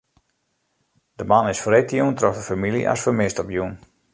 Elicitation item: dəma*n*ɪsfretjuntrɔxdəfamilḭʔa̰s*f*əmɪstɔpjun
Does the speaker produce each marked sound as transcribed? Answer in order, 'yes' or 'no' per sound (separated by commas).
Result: yes, yes